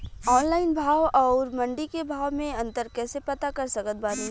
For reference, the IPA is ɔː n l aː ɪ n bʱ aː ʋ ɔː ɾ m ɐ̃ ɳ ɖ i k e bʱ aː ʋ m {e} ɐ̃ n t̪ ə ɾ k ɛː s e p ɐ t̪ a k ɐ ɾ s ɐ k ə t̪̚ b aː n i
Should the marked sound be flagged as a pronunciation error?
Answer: yes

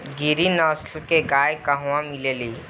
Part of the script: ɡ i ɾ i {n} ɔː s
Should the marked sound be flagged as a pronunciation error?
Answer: no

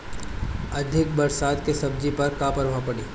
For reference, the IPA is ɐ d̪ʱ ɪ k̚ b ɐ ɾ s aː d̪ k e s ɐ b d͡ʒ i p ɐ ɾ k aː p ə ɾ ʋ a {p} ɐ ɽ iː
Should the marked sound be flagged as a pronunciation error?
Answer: no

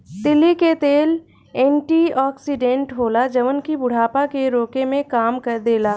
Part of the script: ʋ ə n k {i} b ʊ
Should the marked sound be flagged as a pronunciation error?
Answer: no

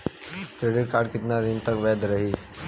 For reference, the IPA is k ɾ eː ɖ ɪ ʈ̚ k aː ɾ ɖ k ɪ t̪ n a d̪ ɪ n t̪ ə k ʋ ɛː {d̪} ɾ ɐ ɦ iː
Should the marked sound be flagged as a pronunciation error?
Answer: no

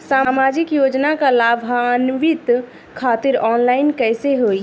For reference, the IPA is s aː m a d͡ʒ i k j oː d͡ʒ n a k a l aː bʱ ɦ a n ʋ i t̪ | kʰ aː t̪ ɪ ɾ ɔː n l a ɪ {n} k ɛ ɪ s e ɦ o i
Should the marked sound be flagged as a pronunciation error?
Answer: no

